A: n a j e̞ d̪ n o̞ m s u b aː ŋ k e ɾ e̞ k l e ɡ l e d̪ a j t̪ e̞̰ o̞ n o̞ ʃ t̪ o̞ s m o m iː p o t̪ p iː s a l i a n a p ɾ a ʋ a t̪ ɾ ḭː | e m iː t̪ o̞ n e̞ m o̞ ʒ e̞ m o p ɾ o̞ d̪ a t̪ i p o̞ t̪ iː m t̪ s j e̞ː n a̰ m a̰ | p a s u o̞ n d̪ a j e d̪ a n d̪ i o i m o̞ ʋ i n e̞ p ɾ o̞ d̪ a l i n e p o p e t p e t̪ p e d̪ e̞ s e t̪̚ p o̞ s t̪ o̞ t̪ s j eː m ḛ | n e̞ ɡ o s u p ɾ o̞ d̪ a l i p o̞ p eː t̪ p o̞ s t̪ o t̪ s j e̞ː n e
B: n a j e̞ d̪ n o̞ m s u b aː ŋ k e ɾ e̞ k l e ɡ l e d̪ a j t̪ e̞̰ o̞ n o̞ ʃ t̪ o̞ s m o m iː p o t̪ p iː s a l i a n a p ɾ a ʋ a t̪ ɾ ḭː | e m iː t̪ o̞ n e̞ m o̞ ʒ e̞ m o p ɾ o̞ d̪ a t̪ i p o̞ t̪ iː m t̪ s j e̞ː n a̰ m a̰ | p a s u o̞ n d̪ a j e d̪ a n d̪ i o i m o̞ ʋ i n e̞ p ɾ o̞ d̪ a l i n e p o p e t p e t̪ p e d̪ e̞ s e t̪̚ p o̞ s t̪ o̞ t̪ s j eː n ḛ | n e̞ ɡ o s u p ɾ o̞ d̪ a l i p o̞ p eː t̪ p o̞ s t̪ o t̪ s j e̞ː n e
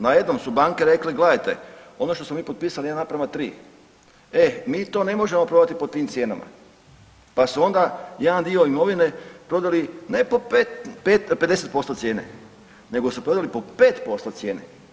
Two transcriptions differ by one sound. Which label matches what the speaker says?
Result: B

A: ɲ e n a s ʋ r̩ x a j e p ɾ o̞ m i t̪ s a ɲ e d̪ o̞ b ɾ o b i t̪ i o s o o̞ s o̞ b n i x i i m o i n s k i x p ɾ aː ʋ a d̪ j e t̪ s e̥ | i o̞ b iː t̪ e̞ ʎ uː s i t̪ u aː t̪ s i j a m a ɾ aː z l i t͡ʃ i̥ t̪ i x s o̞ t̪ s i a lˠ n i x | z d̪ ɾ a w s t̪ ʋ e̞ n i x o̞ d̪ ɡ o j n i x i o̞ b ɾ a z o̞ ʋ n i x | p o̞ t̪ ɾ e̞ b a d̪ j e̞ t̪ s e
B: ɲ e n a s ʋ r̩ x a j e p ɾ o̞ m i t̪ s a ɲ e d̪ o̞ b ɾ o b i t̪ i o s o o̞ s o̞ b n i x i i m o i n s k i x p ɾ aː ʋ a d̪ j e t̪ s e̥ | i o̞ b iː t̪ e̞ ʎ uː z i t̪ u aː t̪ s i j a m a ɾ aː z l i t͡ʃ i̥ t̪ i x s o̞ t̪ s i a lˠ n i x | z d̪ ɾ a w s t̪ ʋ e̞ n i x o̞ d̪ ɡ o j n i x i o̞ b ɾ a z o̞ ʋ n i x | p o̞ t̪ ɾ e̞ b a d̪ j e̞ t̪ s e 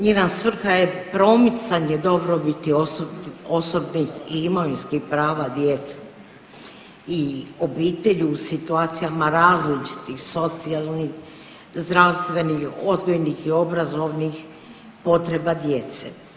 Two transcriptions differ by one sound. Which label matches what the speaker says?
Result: A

